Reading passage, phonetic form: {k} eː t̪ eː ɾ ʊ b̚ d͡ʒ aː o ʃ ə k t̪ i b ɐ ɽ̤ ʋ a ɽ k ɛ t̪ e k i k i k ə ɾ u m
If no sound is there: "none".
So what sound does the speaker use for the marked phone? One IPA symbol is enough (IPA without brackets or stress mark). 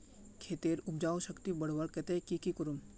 kʰ